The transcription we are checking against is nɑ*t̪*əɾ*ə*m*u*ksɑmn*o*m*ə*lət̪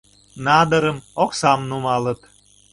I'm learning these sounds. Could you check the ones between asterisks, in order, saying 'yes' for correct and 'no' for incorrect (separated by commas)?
no, yes, no, no, no